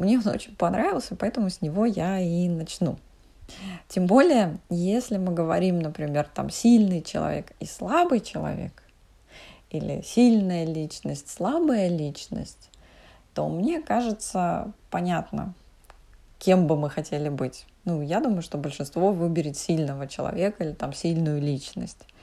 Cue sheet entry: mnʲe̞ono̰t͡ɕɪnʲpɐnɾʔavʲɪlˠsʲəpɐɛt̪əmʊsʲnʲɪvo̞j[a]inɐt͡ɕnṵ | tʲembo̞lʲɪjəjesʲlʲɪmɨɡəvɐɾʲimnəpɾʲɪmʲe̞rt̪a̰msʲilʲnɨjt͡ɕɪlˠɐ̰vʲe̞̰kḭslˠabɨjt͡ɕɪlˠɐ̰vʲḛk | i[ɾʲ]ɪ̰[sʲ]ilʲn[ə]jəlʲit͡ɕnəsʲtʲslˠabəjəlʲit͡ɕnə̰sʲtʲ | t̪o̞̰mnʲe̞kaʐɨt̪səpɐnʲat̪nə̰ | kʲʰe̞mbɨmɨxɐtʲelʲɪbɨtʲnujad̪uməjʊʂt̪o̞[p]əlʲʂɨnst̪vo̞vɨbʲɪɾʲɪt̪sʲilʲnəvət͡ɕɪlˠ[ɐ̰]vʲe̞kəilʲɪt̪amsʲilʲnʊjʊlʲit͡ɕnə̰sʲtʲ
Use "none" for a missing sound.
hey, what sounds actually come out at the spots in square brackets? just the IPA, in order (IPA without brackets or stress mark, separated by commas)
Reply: a, lʲ, sʲ, ə, b, ɐ̰